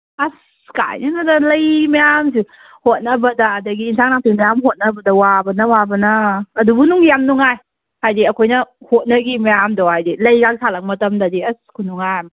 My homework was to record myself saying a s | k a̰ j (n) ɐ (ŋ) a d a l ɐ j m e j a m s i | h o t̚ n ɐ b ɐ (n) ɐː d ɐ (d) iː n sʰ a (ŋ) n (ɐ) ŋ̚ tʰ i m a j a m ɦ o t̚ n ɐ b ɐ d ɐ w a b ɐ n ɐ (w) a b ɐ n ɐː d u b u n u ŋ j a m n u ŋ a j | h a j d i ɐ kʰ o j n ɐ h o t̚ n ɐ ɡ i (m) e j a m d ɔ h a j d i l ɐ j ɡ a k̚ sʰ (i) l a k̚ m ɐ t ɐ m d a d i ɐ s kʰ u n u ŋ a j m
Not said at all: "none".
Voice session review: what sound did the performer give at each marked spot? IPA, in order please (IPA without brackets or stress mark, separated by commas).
n, n, d, ɡ, ŋ, a, w, m, a